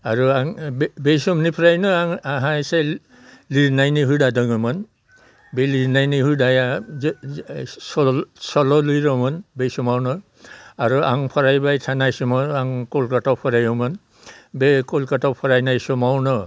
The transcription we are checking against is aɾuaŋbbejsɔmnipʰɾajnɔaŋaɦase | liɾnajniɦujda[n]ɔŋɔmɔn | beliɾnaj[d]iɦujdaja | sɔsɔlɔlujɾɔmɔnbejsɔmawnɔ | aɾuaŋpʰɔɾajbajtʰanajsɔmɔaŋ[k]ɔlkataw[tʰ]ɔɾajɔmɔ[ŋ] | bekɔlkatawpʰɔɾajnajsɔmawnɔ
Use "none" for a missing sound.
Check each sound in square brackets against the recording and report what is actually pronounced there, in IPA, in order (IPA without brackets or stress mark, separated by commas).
d, n, k, pʰ, n